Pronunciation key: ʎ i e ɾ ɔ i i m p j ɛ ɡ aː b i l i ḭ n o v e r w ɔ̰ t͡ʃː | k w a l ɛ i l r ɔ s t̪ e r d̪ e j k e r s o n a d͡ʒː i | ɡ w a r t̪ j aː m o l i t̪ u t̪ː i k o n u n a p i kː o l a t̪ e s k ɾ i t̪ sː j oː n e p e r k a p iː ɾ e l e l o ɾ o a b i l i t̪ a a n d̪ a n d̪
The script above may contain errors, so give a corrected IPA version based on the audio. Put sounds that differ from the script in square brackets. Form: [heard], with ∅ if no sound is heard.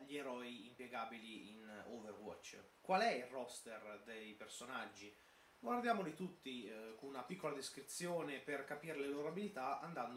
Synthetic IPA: ʎ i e ɾ ɔ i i m p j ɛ ɡ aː b i l i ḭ n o v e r w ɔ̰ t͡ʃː | k w a l ɛ i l r ɔ s t̪ e r d̪ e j [p] e r s o n a d͡ʒː i | ɡ w a r [d̪] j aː m o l i t̪ u t̪ː i k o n u n a p i kː o l a [d̪] e s k ɾ i t̪ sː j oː n e p e r k a p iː ɾ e l e l o ɾ o a b i l i t̪ a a n d̪ a n d̪